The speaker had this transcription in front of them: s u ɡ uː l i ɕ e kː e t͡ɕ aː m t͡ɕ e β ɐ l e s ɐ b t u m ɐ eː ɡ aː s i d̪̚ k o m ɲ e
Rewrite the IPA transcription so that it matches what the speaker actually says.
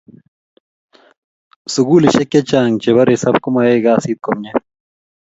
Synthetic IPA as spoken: s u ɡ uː l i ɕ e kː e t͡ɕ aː ŋ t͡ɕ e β ɐ ɾ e s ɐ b k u m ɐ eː ɡ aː s i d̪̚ k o m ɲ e